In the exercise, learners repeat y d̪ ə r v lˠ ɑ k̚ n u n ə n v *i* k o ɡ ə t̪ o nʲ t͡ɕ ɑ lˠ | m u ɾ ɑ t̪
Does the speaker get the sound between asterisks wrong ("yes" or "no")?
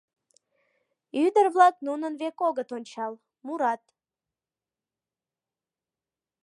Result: yes